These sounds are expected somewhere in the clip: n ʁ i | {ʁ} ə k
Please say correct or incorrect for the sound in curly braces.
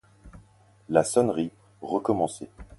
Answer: correct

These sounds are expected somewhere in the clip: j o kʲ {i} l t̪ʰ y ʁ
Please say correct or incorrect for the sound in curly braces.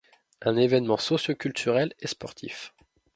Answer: incorrect: y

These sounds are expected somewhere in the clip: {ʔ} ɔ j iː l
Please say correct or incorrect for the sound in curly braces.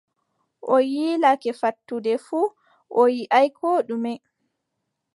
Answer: correct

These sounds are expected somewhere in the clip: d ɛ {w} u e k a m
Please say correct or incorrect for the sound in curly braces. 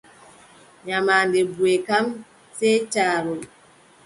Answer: incorrect: b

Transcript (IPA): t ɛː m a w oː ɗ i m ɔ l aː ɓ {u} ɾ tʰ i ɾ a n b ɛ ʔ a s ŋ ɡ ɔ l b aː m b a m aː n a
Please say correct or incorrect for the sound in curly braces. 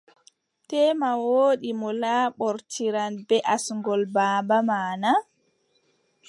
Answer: incorrect: ɔ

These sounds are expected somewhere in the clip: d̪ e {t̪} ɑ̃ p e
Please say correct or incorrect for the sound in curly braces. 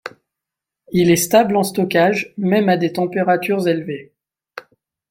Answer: correct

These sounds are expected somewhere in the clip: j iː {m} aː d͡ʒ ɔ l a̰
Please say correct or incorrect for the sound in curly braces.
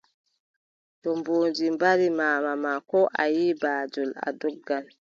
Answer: incorrect: b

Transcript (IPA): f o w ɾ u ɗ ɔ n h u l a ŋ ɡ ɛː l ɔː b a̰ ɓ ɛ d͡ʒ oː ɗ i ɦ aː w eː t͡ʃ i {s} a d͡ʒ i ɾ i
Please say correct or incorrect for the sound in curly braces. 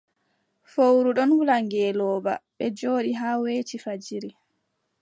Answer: incorrect: f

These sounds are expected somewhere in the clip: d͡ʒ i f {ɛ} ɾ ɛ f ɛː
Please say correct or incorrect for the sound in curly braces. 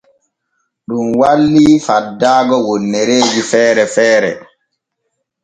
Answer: incorrect: ɛː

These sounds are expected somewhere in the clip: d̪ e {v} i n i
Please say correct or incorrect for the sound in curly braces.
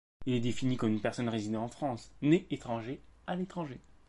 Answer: incorrect: f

